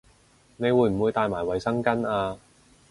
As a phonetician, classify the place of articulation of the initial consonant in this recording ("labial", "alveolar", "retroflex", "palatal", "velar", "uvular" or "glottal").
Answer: alveolar